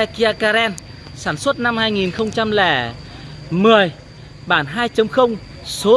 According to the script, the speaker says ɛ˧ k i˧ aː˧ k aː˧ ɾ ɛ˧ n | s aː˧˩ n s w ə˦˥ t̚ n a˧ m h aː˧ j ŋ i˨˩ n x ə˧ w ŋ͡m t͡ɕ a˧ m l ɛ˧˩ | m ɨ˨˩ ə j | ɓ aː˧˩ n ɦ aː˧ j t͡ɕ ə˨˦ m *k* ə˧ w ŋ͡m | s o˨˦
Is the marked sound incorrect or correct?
incorrect